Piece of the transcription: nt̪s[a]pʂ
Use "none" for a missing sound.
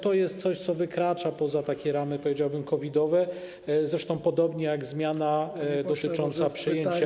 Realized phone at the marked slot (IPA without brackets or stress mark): a